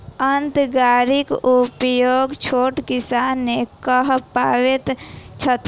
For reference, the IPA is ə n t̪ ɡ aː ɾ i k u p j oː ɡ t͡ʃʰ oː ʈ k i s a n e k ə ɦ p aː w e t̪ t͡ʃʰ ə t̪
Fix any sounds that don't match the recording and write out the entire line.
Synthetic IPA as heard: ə n t̪ ɡ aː ɾ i k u p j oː ɡ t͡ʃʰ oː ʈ k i s a n e k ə ɦ p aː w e t̪ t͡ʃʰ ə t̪